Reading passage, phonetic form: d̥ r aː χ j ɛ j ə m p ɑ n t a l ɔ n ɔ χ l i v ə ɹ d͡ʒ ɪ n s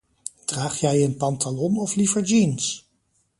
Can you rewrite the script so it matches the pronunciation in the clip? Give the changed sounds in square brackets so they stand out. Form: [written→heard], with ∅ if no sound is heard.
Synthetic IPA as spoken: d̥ r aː χ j ɛ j ə [m→n] p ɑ n t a l ɔ n ɔ [χ→f] l i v ə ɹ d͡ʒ [ɪ→i] n s